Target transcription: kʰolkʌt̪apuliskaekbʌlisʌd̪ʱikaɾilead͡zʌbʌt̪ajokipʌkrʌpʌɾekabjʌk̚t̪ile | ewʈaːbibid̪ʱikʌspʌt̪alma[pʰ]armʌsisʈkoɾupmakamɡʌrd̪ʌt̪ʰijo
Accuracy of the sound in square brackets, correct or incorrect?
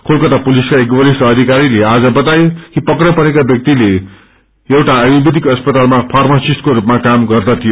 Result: correct